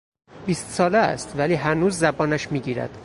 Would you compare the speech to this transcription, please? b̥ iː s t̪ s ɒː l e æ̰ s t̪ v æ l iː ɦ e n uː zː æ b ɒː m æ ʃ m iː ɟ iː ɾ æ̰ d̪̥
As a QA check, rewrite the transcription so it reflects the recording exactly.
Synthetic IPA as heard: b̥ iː s t̪ s ɒː l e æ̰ s t̪ v æ l iː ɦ æ n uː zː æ b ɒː n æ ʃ m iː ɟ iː ɾ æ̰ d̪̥

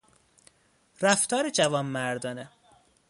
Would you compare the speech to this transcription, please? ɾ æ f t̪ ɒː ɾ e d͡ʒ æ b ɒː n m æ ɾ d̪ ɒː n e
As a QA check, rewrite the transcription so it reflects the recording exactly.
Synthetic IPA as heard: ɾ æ f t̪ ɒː ɾ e d͡ʒ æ v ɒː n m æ ɾ d̪ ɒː n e

